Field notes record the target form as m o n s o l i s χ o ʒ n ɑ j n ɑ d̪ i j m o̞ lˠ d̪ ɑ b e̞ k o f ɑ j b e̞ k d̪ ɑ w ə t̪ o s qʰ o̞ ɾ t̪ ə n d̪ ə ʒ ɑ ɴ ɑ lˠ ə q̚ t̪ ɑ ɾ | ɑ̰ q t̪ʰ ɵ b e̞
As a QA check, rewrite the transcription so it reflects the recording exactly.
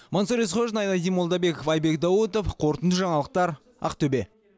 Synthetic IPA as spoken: m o n s o ɾ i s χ o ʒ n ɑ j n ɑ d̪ i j m o̞ lˠ d̪ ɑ b e̞ k o f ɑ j b e̞ k d̪ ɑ w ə t̪ o f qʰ o̞ ɾ t̪ ə n d̪ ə ʒ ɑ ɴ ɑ lˠ ə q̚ t̪ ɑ ɾ | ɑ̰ q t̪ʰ ɵ b e̞